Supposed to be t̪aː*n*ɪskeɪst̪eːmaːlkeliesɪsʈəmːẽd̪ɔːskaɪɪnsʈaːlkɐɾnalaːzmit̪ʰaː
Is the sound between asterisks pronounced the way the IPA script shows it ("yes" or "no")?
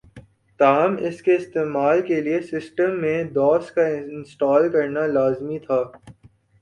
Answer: no